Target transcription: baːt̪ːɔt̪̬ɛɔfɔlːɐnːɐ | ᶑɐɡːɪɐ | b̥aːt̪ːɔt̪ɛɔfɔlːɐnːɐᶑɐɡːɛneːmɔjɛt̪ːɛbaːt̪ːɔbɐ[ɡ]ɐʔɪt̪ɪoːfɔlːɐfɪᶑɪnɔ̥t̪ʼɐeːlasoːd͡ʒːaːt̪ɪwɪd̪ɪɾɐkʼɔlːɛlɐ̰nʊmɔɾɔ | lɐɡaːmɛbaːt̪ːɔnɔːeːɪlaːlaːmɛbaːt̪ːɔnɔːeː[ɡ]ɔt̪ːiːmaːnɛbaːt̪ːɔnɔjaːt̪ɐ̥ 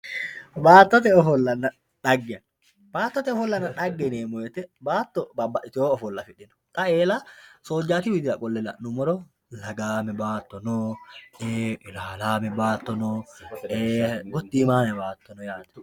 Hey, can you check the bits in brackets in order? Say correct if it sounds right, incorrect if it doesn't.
incorrect: b, correct

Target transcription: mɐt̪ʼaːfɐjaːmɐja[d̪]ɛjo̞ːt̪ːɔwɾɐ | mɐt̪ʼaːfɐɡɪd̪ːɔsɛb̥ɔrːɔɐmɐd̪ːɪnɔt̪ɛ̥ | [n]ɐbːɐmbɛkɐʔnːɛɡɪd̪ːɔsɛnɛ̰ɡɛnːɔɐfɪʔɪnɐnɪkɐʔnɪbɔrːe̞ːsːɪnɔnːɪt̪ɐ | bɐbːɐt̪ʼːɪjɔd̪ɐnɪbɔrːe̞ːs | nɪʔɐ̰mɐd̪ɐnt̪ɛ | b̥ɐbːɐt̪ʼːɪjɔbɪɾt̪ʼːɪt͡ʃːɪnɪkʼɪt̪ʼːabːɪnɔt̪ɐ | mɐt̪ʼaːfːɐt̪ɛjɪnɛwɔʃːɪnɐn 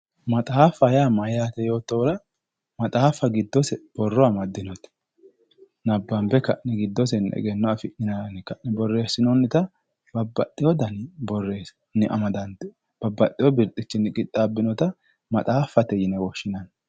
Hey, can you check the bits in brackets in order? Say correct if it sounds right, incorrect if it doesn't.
incorrect: t̪, correct

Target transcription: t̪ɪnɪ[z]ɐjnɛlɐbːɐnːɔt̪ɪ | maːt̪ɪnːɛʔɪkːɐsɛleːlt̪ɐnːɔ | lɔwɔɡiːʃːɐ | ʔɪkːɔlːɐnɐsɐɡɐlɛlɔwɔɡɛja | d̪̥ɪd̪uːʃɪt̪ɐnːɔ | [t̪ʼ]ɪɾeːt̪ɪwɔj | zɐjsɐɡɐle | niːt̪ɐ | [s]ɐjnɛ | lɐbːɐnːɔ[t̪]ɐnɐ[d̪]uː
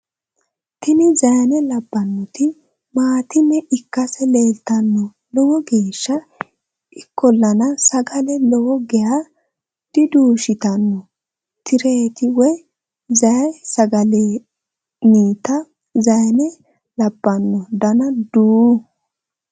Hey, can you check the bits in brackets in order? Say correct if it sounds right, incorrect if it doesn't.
correct, incorrect: t̪, incorrect: z, incorrect: d̪, correct

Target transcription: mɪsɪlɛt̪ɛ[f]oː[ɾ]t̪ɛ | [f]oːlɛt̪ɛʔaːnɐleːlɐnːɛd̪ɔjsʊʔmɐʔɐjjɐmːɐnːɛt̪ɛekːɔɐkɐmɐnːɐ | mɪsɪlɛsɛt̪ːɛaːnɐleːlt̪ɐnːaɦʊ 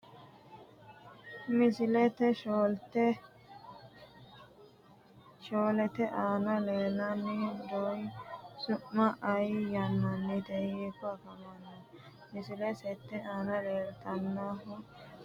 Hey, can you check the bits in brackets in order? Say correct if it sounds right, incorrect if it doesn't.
incorrect: ʃ, incorrect: l, incorrect: ʃ

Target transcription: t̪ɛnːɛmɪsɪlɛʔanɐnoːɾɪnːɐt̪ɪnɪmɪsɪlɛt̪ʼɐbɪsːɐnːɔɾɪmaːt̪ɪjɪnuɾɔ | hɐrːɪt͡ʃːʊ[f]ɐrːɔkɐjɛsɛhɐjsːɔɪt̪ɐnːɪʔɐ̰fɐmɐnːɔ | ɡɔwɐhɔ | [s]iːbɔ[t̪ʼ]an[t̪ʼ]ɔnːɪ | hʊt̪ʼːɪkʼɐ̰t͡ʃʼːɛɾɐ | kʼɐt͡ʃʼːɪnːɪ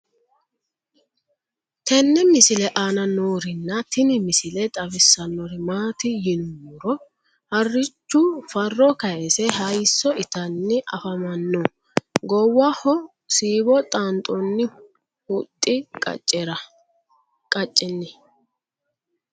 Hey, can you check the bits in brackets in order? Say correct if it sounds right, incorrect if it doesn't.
correct, correct, correct, correct

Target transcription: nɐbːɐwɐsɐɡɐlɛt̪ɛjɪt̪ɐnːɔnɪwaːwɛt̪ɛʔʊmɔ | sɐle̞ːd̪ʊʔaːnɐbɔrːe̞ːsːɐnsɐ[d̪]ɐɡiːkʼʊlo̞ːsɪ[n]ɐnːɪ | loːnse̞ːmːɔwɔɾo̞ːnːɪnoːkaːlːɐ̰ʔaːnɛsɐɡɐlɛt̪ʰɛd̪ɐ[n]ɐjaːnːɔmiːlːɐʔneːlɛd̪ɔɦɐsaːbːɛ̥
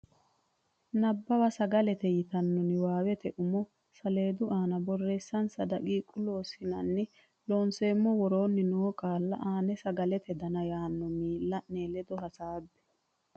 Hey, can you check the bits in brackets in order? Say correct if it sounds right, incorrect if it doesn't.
correct, correct, correct

